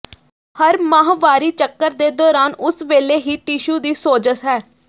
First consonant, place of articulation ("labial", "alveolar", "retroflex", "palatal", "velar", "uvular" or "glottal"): glottal